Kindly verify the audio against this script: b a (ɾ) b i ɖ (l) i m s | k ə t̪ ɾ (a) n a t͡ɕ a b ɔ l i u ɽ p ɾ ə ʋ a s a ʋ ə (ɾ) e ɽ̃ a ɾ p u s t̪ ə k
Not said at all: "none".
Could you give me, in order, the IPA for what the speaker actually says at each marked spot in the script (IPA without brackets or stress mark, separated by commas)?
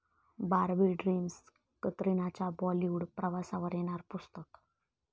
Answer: ɾ, ɾ, i, ɾ